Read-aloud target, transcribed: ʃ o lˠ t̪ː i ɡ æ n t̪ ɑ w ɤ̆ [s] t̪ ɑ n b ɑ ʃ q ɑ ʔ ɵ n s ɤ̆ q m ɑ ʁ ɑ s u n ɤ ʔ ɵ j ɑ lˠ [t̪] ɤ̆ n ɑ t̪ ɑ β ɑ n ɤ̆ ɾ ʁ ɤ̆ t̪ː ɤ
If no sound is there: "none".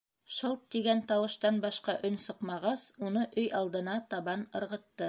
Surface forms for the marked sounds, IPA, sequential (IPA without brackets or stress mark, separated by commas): ʃ, d̪